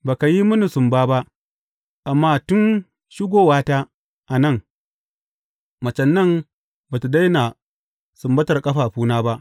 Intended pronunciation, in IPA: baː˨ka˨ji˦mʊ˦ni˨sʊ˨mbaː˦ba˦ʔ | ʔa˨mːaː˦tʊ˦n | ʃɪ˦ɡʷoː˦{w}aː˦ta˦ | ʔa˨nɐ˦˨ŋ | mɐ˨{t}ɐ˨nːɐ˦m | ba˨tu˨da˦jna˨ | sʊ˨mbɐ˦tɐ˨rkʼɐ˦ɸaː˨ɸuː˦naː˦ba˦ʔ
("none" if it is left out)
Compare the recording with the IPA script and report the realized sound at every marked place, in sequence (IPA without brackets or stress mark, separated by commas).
w, t͡ʃ